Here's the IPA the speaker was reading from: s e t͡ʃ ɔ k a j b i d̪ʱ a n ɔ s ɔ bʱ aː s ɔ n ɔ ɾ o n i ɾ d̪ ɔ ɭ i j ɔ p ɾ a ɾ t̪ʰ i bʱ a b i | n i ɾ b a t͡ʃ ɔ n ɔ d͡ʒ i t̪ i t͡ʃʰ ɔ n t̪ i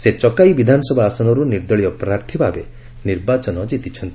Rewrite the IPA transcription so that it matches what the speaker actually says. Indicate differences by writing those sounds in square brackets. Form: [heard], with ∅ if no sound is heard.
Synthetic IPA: s e t͡ʃ ɔ k a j b i d̪ʱ a n ɔ s ɔ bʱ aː s ɔ n ɔ ɾ [u] n i ɾ d̪ ɔ ɭ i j ɔ p ɾ a ɾ t̪ʰ i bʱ a b [e] | n i ɾ b a t͡ʃ ɔ n ɔ d͡ʒ i t̪ i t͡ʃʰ ɔ n t̪ i